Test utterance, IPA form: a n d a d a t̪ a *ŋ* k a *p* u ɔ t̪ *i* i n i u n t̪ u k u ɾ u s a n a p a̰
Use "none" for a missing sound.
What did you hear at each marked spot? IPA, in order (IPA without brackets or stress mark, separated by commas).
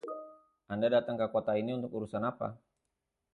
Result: ŋ, k, a